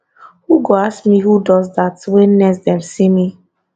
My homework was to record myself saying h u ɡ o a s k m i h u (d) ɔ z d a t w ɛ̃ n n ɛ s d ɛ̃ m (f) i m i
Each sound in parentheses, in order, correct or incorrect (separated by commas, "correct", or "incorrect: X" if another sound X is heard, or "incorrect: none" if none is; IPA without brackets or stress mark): correct, incorrect: s